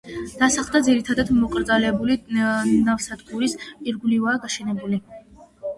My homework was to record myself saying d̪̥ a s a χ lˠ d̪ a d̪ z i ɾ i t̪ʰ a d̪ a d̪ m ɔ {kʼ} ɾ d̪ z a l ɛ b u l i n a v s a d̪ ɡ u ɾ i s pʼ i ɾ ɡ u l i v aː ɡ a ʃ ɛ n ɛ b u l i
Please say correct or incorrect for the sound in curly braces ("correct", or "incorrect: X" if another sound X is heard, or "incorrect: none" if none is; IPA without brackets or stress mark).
correct